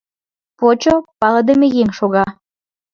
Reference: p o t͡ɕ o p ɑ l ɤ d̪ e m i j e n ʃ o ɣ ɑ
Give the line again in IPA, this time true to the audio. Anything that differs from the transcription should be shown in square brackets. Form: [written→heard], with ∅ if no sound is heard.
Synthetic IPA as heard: p o t͡ɕ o p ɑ l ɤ d̪ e m [i→e] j e [n→ŋ] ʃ o ɣ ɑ